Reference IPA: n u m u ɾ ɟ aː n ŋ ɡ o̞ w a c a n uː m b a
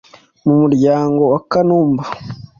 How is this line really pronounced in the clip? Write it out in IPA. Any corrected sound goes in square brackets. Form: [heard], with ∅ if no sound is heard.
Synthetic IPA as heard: [m] u m u ɾ ɟ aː [∅] ŋ ɡ o̞ w a [k] a n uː m b a